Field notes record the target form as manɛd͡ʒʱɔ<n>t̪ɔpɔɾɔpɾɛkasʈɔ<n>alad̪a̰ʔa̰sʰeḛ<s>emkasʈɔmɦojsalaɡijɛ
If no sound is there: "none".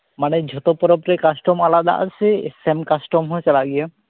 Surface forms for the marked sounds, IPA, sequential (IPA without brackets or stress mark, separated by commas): none, m, s